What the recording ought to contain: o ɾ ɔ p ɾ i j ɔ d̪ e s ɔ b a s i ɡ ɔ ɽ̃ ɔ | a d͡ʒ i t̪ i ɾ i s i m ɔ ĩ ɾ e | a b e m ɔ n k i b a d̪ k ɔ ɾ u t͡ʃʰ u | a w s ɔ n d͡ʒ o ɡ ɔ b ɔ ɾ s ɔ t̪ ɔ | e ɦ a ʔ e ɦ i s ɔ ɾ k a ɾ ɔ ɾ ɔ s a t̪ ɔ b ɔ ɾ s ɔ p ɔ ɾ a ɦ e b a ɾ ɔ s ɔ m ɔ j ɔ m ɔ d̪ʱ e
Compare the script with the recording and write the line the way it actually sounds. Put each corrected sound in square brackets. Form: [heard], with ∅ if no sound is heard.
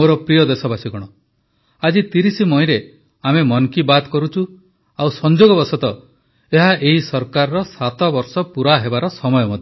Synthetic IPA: o ɾ ɔ p ɾ i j ɔ d̪ e s ɔ b a s i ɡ ɔ ɽ̃ ɔ | a d͡ʒ i t̪ i ɾ i s i m ɔ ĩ ɾ e | a [m] e m ɔ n k i b a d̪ k ɔ ɾ u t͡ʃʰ u | a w s ɔ n d͡ʒ o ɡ ɔ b ɔ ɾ s ɔ t̪ ɔ | e ɦ a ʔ e ɦ i s ɔ ɾ k a ɾ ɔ ɾ ɔ s a t̪ ɔ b ɔ ɾ s ɔ p [u] ɾ a ɦ e b a ɾ ɔ s ɔ m ɔ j ɔ m ɔ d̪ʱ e